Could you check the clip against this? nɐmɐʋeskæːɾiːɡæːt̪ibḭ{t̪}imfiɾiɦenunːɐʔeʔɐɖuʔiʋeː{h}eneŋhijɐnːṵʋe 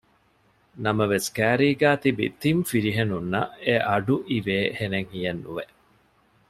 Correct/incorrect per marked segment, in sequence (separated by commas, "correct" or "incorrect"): correct, correct